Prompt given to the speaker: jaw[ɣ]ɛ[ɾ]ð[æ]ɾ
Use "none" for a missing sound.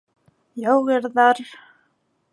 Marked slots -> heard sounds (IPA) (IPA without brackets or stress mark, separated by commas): ɣ, ɾ, a